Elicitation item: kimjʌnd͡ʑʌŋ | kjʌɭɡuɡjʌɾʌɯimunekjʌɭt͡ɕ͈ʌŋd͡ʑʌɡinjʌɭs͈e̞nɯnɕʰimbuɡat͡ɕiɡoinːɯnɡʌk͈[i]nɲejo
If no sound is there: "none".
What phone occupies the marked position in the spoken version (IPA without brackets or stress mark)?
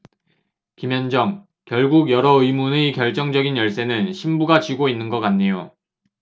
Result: a